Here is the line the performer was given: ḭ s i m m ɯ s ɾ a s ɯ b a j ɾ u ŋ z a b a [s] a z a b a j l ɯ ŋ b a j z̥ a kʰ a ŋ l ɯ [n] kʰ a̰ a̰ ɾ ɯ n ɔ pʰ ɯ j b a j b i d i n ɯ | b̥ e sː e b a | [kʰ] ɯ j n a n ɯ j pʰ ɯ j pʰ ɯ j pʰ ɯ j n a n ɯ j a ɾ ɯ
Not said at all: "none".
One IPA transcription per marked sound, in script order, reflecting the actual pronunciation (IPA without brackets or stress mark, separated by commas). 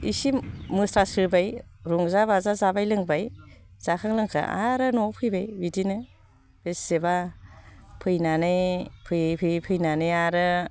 z, ŋ, pʰ